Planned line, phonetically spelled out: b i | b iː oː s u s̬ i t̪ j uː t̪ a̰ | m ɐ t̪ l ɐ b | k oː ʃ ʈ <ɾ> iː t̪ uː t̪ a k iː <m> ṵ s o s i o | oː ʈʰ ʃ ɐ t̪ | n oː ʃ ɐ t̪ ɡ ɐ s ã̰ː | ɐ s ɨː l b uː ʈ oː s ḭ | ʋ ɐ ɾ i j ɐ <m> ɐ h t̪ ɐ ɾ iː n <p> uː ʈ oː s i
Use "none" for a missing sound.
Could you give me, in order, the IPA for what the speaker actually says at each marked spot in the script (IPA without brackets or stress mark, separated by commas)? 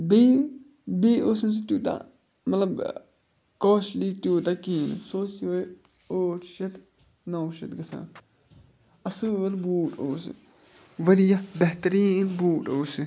l, n, b, b